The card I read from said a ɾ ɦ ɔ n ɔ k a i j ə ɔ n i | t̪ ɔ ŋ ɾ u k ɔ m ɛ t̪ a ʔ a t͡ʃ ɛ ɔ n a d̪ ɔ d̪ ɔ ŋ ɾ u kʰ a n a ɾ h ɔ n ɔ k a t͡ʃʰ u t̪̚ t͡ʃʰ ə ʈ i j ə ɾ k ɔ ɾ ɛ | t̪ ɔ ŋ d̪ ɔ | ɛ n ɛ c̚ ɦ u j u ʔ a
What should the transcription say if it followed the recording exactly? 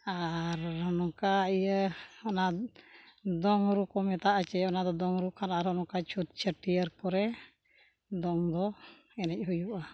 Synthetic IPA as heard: a ɾ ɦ ɔ n ɔ k a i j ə ɔ n a | d̪ ɔ ŋ ɾ u k ɔ m ɛ t̪ a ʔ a t͡ʃ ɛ ɔ n a d̪ ɔ d̪ ɔ ŋ ɾ u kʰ a n a ɾ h ɔ n ɔ k a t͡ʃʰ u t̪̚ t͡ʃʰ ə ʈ i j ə ɾ k ɔ ɾ ɛ | d̪ ɔ ŋ d̪ ɔ | ɛ n ɛ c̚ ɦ u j u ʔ a